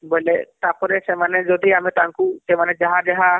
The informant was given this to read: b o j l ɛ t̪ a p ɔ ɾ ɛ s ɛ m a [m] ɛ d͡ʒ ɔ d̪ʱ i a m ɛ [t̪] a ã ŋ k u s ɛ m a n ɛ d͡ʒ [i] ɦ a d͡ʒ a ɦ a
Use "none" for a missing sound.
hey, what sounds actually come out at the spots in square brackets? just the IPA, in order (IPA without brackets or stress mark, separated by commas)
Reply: n, t̪, a